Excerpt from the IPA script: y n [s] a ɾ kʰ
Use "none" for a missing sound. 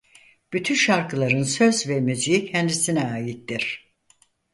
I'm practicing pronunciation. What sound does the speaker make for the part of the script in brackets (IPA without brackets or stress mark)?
ʃ